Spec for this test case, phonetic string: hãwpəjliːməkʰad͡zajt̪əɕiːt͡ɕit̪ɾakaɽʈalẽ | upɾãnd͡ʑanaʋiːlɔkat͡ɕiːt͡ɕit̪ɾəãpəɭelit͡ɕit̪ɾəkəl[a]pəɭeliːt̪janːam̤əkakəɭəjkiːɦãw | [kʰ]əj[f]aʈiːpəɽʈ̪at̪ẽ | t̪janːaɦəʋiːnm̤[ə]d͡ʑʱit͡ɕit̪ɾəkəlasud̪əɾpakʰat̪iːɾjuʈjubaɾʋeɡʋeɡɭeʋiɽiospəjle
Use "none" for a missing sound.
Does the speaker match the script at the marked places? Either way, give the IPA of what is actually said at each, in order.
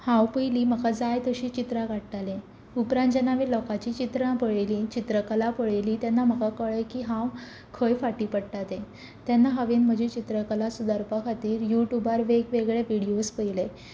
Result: a, kʰ, f, ə

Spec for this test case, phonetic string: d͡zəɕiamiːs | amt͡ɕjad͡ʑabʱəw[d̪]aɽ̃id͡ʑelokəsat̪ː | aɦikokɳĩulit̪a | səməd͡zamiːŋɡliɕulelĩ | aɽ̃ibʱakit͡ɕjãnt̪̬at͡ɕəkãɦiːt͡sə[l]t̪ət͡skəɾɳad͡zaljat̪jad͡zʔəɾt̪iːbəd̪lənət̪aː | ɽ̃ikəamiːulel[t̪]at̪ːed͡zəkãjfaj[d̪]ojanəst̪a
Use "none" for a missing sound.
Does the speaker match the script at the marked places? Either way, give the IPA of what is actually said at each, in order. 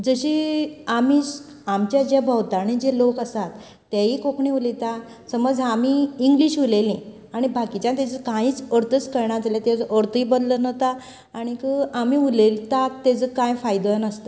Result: t̪, ɾ, t̪, d̪

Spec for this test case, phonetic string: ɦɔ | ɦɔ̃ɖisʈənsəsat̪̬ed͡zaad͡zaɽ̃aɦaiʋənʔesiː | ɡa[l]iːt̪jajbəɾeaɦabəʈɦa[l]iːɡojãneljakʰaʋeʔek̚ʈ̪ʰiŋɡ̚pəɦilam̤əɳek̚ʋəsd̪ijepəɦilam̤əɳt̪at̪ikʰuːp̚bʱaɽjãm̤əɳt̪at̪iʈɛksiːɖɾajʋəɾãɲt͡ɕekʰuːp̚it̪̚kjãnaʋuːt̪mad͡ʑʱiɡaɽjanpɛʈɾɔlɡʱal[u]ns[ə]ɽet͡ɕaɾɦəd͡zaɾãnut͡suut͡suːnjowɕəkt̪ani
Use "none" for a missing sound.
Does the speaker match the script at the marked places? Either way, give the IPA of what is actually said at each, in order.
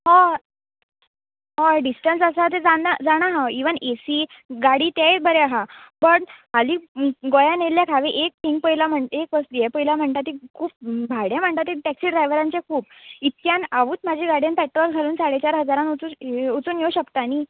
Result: ɽ, l, uː, a

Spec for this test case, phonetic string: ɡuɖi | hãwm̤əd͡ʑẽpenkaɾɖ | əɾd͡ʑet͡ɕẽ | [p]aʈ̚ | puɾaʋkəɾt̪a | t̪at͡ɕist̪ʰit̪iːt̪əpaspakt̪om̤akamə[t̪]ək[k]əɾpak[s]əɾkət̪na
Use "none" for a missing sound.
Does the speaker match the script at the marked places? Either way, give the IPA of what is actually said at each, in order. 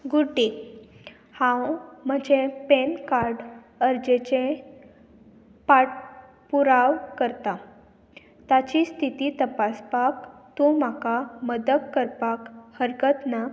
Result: p, d̪, k, h

